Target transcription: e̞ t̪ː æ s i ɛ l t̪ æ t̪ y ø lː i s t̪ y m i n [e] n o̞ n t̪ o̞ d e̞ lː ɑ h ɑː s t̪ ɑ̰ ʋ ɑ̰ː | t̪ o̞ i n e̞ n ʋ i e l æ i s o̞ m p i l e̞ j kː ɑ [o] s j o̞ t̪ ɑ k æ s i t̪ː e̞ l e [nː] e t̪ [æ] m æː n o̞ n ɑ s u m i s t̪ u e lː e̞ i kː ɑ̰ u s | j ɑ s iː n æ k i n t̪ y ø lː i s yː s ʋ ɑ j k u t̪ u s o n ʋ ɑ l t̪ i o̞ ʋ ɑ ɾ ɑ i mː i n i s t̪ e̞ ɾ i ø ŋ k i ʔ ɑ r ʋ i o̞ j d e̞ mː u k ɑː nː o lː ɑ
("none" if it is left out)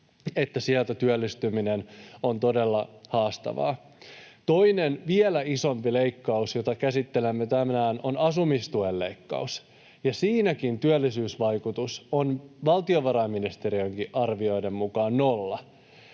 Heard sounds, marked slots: e, u, mː, æ

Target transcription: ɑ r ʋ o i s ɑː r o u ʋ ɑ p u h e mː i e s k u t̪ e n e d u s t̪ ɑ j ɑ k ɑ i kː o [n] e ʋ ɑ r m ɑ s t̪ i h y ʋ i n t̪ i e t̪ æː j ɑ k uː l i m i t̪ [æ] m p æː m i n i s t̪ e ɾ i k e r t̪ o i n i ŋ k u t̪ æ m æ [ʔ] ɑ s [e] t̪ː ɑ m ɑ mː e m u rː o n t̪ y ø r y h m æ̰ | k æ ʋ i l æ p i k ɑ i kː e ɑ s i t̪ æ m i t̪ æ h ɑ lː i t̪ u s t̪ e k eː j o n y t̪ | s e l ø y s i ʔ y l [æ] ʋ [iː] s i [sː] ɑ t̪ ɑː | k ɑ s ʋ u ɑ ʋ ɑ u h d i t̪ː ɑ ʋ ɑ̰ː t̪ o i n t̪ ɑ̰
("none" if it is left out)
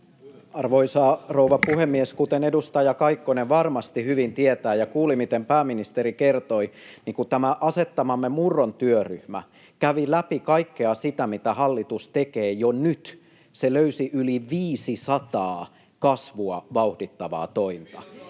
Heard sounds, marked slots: n, e, ʔ, e, i, iː, s

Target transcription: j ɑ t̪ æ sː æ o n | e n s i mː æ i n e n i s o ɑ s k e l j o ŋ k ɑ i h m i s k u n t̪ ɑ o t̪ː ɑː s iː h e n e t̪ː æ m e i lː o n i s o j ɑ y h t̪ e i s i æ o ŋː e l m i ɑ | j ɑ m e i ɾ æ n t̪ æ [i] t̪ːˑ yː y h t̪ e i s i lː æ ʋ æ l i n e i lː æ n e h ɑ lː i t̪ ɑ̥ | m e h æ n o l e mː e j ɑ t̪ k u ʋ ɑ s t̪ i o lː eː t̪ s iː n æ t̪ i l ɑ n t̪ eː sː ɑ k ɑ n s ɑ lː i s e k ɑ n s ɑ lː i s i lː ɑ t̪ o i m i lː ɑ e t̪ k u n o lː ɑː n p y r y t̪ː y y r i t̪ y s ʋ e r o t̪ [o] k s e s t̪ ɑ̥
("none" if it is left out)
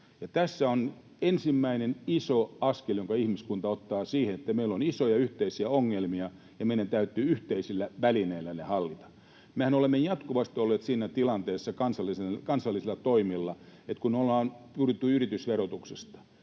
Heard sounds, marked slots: y, u

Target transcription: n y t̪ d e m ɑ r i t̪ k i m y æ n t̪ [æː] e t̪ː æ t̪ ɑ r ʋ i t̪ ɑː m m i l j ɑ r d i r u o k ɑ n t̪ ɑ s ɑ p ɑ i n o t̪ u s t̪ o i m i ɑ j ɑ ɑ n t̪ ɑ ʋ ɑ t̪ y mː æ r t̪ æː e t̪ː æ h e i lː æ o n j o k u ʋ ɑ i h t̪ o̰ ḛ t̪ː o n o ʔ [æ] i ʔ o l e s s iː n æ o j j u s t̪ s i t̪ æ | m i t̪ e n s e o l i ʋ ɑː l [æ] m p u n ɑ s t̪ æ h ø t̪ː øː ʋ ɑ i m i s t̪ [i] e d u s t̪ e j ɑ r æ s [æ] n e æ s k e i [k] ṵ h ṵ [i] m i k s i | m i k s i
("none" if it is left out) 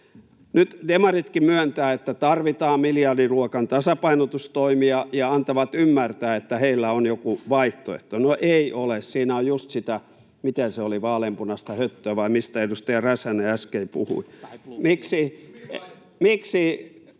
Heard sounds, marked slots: æː, e, e, æ, æ, p, i

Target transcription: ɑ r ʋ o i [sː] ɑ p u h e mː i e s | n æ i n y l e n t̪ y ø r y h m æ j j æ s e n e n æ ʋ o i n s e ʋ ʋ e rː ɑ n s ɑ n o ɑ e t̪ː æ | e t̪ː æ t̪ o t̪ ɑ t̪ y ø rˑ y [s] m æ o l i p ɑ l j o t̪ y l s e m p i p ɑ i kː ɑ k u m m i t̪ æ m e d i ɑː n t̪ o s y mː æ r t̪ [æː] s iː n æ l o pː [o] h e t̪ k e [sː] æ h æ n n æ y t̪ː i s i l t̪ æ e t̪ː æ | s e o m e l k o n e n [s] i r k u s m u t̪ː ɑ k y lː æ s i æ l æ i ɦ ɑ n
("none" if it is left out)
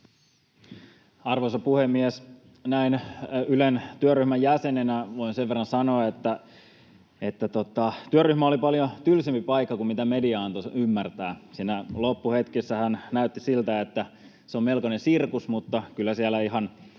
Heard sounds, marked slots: s, h, æː, u, sː, s

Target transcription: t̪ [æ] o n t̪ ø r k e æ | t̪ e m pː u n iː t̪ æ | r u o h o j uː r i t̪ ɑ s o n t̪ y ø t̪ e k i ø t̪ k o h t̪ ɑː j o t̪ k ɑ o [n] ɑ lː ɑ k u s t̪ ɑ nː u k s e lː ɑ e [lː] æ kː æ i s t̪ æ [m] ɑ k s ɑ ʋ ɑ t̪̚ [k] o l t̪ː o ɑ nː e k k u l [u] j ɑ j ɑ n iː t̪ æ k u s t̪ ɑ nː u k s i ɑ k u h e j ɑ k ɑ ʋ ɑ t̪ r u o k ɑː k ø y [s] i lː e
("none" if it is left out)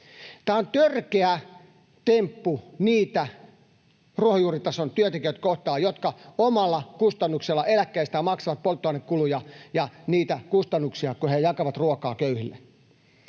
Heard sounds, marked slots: æː, m, l, m, p, u, h

